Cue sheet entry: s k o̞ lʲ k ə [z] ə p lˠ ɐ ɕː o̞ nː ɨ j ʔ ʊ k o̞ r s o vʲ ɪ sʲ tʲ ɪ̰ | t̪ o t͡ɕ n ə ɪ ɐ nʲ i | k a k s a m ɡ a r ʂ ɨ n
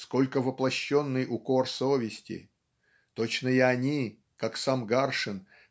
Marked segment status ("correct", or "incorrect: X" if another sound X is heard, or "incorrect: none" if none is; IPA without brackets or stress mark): incorrect: v